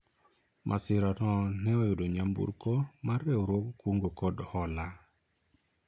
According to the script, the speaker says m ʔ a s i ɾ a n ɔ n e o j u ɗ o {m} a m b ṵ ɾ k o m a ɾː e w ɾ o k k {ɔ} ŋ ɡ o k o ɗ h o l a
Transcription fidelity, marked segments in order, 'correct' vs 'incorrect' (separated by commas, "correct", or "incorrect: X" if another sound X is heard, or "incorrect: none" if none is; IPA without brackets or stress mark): incorrect: ɲ, incorrect: u